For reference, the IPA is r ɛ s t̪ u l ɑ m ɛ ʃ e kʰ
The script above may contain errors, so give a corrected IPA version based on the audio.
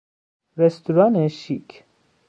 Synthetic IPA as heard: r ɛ s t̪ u ɾ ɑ n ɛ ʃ i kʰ

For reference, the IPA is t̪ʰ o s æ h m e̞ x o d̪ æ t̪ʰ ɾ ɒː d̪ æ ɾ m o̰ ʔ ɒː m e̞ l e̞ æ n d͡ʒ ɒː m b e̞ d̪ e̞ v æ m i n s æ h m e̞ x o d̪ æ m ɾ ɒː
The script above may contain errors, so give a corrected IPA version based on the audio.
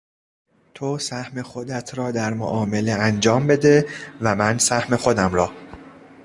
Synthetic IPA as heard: t̪ʰ o s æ h m e̞ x o d̪ æ t̪ʰ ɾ ɒː d̪ æ ɾ m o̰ ʔ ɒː m e̞ l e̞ æ n d͡ʒ ɒː m b e̞ d̪ e̞ v æ m æ n s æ h m e̞ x o d̪ æ m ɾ ɒː

